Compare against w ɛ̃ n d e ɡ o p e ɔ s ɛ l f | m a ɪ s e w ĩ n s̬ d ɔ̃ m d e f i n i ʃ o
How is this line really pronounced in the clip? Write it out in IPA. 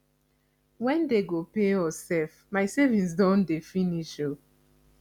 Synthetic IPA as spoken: w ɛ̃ n d e ɡ o p e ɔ s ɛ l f | m a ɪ s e v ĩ n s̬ d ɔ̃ n d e f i n i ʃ o

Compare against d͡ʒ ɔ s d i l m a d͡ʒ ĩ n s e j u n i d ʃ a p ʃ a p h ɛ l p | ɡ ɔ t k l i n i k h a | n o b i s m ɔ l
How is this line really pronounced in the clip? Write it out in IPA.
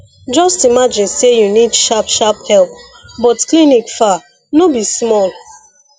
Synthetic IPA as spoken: d͡ʒ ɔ s t i m a d͡ʒ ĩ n s e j u n i d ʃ a p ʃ a p h ɛ l p | b ɔ t k l i n i k f a | n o b i s m ɔ l

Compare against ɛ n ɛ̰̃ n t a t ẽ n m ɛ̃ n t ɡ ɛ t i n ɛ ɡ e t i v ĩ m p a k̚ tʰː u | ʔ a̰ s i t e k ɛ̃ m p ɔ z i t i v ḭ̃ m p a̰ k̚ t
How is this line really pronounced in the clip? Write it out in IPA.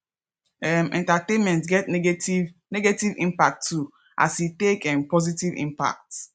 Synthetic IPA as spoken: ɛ m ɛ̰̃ n t a t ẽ n m ɛ̃ n t ɡ ɛ t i n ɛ ɡ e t i v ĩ m p a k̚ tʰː u | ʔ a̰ s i t e k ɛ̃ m p ɔ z i t i v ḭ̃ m p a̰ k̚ t

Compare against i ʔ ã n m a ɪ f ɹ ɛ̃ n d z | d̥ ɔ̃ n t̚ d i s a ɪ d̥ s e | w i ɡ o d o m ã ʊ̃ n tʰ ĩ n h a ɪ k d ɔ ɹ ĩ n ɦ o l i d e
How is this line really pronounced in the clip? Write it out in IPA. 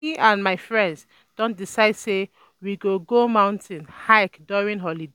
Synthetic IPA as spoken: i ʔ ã n m a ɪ f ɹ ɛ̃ n d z | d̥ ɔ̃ n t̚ d i s a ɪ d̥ s e | w i ɡ o ɡ o m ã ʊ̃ n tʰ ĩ n h a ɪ k d ɔ ɹ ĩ n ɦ ɔ l i d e

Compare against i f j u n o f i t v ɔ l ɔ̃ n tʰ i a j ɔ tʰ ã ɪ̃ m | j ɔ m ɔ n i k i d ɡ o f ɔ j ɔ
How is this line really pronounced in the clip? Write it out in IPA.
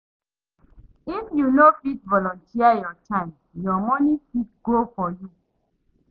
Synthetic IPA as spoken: i f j u n o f i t v ɔ l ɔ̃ n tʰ i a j ɔ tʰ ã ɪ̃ m | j ɔ m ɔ n i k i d ɡ o f ɔ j u

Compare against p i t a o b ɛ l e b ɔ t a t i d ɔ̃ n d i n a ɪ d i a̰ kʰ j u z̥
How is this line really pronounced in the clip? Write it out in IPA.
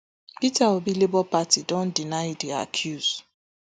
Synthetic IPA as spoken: p i t a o b i l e b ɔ p a t i d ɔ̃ n d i n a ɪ d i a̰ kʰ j u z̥

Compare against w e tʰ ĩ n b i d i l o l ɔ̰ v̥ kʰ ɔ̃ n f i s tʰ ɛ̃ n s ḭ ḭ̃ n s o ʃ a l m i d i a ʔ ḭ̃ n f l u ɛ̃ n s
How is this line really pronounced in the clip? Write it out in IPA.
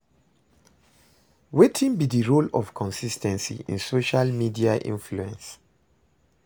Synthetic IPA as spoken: w e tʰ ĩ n b i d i ɹ o l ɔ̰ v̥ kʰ ɔ̃ n s i s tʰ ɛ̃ n s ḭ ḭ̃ n s o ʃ a l m i d i a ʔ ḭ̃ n f l u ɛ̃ n s

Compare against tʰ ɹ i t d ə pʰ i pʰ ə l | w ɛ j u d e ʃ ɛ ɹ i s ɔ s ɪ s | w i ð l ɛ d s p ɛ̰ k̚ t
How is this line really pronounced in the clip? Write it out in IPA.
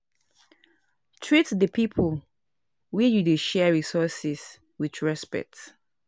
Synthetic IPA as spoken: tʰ ɹ i t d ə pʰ i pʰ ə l | w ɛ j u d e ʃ ɛ ɹ i s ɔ s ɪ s | w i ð ɹ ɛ s p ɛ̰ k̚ t

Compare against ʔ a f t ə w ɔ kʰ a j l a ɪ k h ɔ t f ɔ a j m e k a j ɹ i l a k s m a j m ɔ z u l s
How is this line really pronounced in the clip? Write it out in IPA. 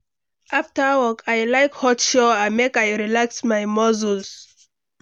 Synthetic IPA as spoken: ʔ a f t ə w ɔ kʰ a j l a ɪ k h ɔ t ʃ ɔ a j m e k a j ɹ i l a k s m a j m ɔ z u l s

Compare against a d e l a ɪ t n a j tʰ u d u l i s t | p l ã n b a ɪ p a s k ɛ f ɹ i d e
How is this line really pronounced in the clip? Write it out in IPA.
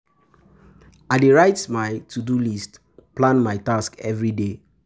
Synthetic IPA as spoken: a d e ɹ a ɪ t m a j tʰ u d u l i s t | p l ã n m a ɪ t a s k ɛ v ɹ i d e

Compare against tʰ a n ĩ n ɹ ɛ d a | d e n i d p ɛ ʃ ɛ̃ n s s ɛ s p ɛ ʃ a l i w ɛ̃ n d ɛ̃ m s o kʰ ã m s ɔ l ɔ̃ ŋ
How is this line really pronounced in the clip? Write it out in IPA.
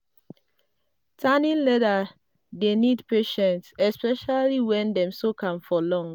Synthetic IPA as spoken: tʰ a n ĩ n l ɛ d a | d e n i d p e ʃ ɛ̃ n t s ɛ s p ɛ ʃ a l i w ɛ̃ n d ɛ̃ m s o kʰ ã m f ɔ l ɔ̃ ŋ

